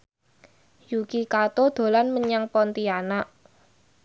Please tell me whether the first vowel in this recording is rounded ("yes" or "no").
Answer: yes